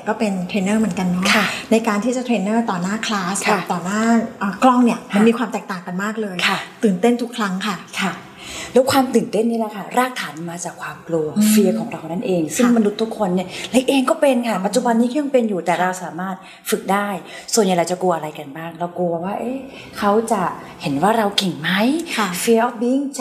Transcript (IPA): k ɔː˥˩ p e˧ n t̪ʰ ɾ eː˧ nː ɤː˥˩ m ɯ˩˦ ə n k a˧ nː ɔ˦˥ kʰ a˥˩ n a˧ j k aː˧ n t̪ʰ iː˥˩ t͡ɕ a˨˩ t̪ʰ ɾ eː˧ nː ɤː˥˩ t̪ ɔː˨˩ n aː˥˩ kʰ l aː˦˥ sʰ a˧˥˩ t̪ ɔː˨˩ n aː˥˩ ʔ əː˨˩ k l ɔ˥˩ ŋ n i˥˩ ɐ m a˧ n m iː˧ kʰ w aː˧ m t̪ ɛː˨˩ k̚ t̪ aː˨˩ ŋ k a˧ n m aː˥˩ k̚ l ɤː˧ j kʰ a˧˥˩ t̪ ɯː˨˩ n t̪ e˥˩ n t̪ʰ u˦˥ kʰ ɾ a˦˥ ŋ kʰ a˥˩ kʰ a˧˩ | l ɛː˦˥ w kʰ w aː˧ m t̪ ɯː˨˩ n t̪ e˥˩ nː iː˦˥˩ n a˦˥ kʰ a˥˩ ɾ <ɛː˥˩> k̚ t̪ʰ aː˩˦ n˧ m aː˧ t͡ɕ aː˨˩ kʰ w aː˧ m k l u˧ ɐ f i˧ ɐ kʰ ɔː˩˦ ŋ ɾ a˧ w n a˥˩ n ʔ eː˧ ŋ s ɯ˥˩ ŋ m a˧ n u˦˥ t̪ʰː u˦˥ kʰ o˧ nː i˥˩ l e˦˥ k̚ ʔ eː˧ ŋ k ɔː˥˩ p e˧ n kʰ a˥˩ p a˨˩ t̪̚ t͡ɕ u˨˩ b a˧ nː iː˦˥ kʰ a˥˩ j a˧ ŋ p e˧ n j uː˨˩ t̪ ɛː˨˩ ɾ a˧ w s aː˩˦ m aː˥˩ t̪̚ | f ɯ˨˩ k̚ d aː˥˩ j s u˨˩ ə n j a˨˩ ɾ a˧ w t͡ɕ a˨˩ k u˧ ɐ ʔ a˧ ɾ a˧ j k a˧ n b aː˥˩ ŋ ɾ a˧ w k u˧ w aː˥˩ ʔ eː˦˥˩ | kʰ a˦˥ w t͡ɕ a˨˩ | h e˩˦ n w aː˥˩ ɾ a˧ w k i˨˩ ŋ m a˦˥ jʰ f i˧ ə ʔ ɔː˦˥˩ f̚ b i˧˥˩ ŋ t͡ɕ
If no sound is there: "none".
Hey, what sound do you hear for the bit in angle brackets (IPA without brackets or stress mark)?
aː˥˩